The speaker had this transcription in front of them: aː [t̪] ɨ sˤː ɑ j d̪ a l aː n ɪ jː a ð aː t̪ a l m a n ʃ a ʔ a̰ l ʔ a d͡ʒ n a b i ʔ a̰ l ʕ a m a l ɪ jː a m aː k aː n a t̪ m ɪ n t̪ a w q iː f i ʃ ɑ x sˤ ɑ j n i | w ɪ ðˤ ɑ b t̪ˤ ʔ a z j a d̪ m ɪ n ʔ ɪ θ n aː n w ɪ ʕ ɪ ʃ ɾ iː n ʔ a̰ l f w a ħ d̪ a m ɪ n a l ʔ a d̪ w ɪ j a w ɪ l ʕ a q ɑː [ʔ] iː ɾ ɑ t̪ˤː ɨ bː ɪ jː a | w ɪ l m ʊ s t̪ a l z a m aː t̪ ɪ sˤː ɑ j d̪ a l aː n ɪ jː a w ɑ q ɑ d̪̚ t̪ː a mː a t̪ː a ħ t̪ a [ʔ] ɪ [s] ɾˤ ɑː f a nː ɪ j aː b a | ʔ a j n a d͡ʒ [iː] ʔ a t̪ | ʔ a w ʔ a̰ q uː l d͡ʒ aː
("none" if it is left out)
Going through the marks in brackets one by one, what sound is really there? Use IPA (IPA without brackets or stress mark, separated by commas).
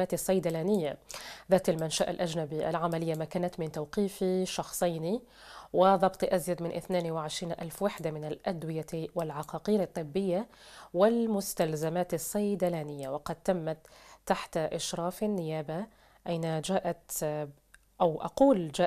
t̪, q, ʔ, ʃ, aː